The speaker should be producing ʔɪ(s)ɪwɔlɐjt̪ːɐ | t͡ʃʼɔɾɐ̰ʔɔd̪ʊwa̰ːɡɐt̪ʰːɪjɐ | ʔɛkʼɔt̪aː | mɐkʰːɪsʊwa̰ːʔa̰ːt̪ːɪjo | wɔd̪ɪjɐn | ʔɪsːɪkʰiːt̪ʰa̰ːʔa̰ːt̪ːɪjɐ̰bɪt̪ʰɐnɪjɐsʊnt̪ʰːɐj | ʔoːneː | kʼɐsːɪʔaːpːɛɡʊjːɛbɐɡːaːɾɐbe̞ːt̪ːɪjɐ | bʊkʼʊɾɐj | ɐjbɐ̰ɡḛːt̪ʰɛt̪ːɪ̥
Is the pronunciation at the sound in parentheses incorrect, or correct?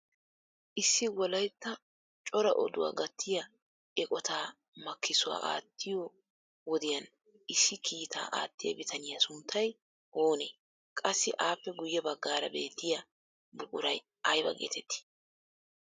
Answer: incorrect